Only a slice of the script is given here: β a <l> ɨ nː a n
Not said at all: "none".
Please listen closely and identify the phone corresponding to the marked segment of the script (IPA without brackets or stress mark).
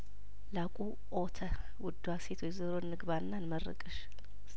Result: ɾ